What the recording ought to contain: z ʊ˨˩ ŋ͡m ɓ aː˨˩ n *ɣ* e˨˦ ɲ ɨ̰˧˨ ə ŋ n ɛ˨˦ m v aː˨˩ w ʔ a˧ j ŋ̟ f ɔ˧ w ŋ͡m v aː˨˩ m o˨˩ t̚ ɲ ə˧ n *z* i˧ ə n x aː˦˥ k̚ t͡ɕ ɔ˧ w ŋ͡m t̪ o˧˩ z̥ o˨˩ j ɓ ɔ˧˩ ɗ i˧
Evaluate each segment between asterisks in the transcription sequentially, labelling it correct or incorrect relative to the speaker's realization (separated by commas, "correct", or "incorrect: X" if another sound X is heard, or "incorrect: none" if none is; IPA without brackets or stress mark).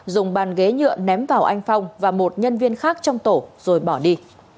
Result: correct, incorrect: v